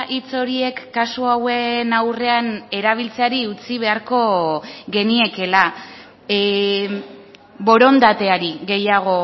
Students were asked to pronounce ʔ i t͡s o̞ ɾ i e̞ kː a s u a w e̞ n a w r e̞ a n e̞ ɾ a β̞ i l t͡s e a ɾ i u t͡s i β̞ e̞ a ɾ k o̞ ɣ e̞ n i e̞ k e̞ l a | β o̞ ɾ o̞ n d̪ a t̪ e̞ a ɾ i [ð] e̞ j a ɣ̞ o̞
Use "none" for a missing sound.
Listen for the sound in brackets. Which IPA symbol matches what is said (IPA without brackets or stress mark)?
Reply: ɣ